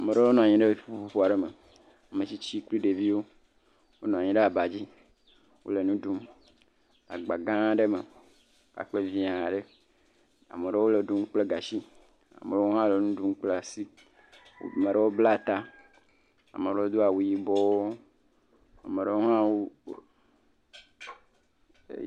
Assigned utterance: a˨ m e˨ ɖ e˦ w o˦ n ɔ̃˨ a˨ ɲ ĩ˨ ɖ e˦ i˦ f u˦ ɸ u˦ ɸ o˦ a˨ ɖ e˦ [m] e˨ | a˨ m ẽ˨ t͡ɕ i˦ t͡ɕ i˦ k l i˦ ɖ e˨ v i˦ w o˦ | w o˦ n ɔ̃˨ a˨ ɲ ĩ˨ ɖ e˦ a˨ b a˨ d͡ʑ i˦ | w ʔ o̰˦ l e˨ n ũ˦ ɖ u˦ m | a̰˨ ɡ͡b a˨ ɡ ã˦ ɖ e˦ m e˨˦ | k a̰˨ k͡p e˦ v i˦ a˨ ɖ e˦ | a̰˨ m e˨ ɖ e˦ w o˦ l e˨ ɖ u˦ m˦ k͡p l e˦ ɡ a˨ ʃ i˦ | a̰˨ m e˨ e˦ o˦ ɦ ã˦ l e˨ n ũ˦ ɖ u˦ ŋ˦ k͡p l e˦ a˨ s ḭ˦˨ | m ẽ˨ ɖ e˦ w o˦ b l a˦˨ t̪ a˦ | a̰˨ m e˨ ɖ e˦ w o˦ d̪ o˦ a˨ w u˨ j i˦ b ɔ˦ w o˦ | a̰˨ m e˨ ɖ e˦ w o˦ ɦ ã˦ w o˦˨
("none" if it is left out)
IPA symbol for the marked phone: m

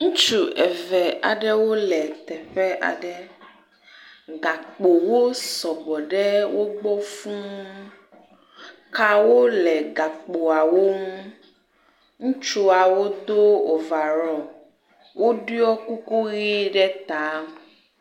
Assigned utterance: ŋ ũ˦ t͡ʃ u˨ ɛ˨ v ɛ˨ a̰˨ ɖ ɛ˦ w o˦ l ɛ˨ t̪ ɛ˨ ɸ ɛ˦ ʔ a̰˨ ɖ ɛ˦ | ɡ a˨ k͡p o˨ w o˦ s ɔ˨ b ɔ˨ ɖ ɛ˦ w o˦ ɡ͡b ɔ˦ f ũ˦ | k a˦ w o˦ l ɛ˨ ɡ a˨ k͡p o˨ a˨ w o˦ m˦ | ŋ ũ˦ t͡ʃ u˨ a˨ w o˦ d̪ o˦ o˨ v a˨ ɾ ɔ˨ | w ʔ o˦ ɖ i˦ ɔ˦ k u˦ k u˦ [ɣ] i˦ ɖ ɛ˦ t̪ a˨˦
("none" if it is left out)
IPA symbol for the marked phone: ɣ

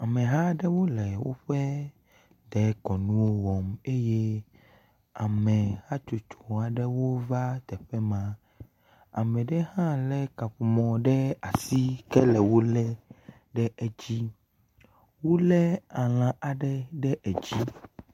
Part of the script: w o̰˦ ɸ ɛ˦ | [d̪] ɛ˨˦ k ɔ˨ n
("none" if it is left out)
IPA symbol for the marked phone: d̪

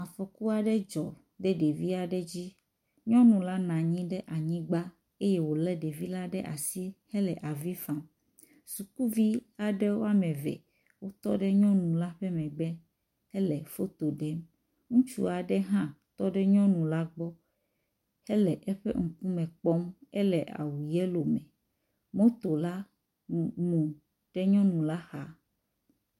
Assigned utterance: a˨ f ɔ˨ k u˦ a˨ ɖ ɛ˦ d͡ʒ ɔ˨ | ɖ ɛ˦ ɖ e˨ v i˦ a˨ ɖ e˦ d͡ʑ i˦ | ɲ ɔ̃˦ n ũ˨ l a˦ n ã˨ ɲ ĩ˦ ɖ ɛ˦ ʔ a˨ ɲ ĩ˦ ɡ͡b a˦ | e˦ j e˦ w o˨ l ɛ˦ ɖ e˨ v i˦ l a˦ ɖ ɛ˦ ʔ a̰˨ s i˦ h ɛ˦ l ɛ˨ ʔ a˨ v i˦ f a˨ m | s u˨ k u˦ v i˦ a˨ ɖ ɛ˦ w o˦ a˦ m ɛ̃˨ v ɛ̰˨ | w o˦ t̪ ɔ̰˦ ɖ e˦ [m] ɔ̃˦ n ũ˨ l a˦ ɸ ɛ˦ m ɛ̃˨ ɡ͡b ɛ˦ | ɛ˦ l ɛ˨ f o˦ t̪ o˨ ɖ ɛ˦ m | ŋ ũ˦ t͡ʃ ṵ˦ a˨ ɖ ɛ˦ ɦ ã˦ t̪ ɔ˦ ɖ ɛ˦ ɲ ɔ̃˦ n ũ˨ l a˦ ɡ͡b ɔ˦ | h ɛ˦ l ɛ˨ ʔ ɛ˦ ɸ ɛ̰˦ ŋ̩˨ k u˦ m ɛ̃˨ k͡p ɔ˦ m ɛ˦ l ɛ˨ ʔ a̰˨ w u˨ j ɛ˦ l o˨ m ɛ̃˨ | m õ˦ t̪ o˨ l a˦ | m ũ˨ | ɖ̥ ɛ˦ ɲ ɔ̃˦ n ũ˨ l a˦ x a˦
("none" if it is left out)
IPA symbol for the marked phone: ɲ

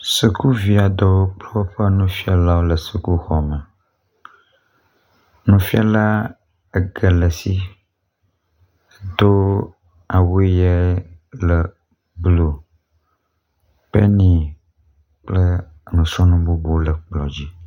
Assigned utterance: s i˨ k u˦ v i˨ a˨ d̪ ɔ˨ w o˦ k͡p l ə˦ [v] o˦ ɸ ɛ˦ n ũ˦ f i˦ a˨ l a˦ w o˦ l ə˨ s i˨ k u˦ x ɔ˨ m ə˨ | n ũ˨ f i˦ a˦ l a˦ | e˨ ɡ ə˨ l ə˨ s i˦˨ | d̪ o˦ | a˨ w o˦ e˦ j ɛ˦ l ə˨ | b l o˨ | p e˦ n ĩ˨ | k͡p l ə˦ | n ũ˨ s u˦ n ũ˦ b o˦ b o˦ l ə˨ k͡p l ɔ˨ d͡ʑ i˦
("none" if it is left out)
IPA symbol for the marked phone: w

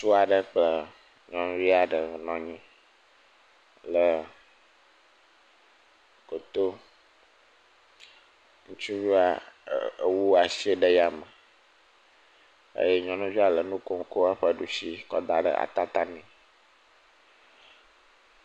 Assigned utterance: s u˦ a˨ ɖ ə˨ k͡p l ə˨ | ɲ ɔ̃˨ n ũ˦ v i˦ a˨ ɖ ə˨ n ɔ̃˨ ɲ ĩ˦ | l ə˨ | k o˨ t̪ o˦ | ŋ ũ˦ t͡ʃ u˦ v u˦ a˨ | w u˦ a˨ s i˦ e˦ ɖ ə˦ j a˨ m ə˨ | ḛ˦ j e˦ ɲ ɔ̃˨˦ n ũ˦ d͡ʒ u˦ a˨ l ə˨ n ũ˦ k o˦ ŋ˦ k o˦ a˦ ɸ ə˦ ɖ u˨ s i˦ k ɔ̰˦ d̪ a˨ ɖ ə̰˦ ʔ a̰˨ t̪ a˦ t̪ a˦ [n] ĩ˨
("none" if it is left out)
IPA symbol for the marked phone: n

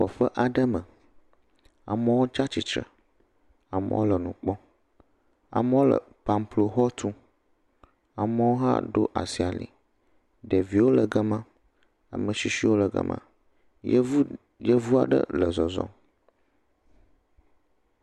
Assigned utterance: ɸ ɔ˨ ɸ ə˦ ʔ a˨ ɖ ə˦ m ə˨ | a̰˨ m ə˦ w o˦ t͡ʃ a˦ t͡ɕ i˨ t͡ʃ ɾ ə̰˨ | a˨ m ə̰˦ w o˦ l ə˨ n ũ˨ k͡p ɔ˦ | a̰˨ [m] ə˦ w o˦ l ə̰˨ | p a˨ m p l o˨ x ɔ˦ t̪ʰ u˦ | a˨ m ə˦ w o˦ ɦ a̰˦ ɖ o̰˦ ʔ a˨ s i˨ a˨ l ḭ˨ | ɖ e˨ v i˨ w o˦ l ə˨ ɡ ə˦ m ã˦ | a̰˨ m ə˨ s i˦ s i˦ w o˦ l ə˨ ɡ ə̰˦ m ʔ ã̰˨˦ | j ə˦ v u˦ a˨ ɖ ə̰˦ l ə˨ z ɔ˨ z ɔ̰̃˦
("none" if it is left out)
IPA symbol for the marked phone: m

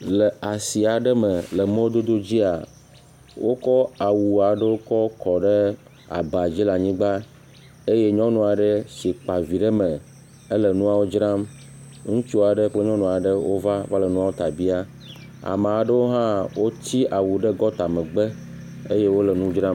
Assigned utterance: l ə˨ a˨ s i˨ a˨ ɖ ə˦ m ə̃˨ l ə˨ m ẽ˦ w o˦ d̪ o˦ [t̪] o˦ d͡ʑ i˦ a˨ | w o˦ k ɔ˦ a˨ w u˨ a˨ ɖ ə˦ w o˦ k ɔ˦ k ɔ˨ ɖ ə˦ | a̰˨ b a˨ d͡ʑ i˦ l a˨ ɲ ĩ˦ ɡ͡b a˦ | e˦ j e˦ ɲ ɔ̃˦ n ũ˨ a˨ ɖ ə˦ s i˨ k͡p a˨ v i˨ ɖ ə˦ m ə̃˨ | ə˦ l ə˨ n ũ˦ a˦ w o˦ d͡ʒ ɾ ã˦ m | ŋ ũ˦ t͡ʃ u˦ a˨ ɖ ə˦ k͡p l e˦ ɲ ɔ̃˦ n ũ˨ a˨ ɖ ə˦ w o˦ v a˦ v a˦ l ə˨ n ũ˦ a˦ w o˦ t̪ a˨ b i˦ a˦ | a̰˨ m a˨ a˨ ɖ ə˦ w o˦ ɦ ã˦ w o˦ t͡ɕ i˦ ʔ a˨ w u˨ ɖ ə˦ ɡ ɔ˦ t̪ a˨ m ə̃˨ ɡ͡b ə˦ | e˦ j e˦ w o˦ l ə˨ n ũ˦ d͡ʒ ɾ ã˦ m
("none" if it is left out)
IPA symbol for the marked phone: d̪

